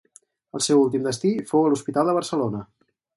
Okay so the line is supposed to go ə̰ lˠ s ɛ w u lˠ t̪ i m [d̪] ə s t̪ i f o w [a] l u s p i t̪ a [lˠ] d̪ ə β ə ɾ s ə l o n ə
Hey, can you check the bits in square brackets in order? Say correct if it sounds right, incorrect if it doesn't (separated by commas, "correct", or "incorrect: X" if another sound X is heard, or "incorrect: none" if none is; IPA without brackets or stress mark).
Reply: correct, incorrect: ə, correct